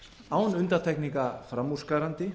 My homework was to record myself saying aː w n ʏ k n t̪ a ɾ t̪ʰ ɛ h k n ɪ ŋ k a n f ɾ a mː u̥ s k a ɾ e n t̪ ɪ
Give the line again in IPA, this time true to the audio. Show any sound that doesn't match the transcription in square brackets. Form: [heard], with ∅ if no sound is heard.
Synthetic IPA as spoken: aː w n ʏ [∅] n t̪ a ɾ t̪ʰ ɛ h k n [i] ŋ k a [∅] f ɾ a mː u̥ s k a ɾ [a] n t̪ ɪ